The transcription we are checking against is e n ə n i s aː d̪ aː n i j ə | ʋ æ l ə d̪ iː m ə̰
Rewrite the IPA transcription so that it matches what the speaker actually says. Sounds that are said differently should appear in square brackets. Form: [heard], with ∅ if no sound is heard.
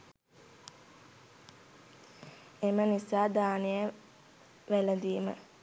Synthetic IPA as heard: e [m] ə n i s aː d̪ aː n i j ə | ʋ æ l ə d̪ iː m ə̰